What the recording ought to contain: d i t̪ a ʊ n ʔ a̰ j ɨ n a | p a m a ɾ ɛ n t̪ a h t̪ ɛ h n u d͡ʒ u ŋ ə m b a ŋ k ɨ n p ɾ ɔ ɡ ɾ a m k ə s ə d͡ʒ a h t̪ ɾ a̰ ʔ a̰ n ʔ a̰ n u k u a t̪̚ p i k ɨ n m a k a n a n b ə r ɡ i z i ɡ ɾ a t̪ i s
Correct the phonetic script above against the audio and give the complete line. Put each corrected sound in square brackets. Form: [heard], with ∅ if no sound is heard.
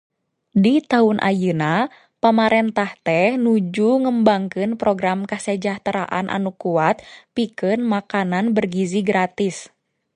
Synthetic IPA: d i t̪ a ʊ n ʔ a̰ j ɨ n a | p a m a ɾ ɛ n t̪ a h t̪ ɛ h n u d͡ʒ u ŋ ə m b a ŋ k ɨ n p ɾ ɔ ɡ ɾ a m k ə s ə d͡ʒ a h t̪ ɾ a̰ ʔ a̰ n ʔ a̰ n u k u a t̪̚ p i k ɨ n m a k a n a n b ə r ɡ i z i ɡ ɾ a t̪ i s